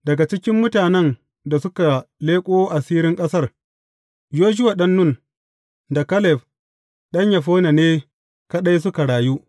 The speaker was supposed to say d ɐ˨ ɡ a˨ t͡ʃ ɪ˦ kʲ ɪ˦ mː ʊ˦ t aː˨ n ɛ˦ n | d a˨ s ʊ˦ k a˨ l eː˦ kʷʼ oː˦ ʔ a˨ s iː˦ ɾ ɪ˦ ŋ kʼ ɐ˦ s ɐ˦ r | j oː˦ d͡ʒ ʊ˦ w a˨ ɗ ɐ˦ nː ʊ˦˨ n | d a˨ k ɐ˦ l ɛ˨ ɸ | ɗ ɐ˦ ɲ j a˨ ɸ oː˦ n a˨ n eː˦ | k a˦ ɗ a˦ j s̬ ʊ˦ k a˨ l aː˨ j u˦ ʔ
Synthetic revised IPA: d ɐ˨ ɡ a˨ t͡ʃ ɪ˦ kʲ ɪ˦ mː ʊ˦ t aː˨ n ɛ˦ n | d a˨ s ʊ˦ k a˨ l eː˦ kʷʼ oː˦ ʔ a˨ s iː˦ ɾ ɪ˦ ŋ kʼ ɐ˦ s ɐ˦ r | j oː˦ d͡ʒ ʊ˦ w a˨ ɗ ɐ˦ nː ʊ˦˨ n | d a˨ k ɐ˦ l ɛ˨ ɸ | ɗ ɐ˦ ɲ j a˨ ɸ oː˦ n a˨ n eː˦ | k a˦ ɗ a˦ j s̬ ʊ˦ k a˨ ɽ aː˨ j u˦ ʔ